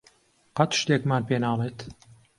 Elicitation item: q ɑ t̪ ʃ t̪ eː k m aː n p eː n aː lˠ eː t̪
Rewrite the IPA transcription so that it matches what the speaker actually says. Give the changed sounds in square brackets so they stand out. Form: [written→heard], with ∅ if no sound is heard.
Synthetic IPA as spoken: q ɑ t̪ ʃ t̪ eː k m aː n p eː n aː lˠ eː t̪